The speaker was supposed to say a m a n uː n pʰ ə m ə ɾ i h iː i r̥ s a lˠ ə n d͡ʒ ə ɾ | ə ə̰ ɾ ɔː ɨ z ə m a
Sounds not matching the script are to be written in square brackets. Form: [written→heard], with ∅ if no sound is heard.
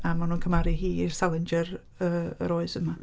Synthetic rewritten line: a m a n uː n [pʰ→kʰ] ə m [ə→a] ɾ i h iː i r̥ s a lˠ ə n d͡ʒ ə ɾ | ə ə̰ ɾ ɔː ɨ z ə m a